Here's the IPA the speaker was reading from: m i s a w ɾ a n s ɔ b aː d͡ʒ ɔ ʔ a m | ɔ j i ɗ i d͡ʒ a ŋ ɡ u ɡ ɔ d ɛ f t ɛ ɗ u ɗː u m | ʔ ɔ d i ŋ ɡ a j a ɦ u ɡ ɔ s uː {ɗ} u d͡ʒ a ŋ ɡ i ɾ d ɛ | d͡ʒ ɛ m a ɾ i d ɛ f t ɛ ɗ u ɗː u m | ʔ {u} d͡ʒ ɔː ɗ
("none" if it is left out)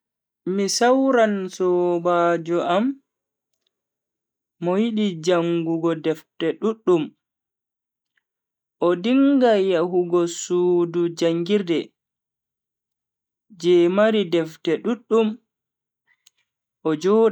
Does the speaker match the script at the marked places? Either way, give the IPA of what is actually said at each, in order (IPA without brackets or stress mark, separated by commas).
d, ɔ